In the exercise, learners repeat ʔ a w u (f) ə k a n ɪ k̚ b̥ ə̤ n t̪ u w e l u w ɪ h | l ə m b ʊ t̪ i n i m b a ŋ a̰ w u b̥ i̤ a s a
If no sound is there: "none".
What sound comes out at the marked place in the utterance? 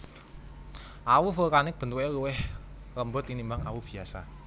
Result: f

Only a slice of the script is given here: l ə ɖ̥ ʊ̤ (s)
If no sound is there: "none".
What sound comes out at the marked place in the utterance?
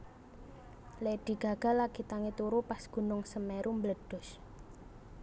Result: s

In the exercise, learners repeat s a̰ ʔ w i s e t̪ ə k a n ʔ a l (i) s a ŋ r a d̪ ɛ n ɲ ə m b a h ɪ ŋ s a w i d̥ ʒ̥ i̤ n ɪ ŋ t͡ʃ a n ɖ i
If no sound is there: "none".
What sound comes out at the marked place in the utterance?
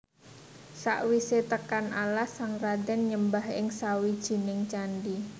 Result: a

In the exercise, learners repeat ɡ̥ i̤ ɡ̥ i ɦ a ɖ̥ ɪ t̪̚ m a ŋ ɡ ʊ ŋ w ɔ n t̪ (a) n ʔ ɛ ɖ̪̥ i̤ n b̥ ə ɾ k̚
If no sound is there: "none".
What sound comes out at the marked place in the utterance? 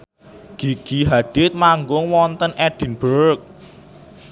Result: ə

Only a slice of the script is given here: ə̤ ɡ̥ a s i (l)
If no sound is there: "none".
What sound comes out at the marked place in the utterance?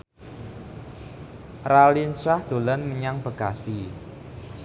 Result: none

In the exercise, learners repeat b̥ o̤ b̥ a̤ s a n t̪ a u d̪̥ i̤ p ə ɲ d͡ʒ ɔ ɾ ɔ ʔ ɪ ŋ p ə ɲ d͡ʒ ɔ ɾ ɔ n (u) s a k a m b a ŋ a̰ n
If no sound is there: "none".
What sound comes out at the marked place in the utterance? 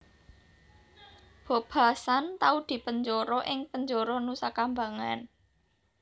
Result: u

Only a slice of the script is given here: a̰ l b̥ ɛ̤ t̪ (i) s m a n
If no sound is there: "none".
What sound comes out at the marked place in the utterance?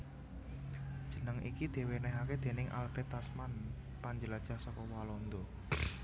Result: a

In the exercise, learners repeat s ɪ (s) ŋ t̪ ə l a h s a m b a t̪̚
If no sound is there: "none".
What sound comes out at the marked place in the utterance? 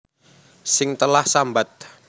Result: none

